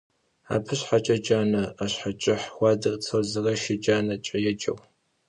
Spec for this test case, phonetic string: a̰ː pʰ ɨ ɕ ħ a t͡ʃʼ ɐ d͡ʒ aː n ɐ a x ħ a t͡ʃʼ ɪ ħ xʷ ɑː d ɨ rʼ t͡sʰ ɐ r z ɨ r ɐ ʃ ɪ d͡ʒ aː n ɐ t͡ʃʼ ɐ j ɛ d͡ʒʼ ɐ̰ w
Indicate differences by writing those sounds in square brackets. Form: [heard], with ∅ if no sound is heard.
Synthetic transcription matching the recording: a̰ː pʰ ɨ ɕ ħ a t͡ʃʼ ɐ d͡ʒ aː n ɐ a [ɕ] ħ a t͡ʃʼ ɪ ħ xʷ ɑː d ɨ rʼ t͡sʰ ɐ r z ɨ r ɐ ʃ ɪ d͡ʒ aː n ɐ t͡ʃʼ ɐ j ɛ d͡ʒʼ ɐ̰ w